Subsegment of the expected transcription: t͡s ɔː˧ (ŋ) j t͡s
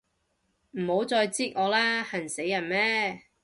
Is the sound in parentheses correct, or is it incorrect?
incorrect